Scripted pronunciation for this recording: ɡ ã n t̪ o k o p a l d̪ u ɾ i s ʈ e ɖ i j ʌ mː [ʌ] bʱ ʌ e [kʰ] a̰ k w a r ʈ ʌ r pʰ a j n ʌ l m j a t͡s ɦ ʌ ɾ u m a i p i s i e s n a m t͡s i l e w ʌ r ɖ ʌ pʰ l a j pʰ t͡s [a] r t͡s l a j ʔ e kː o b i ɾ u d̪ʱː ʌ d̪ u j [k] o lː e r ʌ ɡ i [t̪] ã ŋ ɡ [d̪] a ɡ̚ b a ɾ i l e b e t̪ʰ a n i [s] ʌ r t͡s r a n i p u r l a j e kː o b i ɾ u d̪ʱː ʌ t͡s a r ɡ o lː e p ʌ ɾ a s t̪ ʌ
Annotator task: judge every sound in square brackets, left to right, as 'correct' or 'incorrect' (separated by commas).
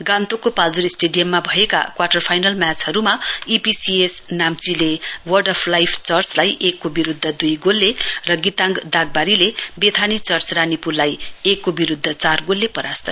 incorrect, incorrect, incorrect, incorrect, correct, correct, incorrect